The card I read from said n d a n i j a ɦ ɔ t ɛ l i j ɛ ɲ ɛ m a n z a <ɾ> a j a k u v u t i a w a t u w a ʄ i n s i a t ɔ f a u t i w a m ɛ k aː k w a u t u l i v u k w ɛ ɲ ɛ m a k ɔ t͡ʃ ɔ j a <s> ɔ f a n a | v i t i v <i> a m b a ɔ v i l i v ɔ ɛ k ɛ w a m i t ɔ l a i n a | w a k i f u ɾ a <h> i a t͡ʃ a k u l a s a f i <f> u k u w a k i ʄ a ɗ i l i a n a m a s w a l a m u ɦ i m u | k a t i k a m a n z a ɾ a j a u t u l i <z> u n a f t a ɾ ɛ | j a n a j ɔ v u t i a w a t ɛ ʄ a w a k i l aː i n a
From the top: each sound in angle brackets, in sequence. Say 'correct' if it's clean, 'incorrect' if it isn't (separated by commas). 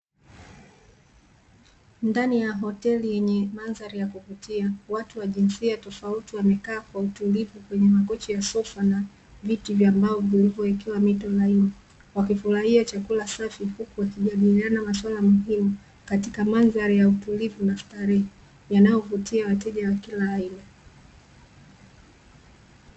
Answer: correct, correct, incorrect, correct, incorrect, incorrect